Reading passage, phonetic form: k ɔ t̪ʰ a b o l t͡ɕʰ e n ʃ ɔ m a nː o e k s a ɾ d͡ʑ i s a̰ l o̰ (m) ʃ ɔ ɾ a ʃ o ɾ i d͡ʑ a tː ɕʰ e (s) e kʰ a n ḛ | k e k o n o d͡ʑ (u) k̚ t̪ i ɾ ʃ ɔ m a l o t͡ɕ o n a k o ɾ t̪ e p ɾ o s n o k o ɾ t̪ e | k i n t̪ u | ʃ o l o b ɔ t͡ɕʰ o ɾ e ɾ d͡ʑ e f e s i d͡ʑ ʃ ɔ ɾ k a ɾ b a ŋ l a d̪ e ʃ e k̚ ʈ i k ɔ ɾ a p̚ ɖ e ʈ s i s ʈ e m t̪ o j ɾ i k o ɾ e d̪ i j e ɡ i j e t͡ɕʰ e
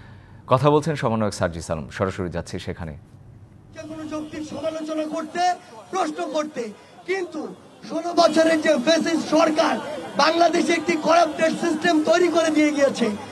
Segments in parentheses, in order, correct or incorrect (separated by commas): correct, incorrect, incorrect